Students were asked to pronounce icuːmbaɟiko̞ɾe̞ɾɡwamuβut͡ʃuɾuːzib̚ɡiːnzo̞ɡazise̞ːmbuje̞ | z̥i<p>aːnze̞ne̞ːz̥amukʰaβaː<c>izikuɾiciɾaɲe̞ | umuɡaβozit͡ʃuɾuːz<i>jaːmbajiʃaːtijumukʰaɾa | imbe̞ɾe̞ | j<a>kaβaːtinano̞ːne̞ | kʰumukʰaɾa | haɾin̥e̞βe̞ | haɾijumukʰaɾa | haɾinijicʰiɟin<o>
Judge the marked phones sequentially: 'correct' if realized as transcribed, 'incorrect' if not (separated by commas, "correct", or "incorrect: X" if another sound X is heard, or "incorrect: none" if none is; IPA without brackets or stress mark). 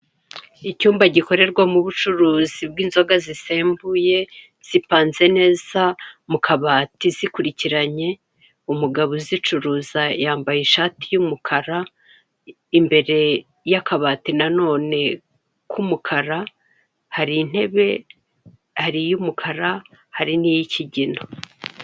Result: correct, incorrect: t, incorrect: a, correct, correct